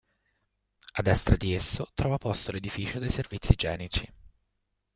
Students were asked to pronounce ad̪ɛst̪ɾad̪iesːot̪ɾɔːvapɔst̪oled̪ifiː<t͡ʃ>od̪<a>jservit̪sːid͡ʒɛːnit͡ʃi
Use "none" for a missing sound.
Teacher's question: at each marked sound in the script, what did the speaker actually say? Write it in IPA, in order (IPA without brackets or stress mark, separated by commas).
t͡ʃ, e